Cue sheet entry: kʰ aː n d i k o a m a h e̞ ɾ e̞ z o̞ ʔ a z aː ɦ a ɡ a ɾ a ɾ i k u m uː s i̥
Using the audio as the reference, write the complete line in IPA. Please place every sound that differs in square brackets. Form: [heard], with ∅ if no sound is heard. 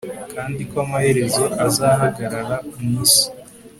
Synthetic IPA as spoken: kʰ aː n d i k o a m a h e̞ ɾ e̞ z o̞ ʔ a z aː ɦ a ɡ a ɾ a ɾ [a] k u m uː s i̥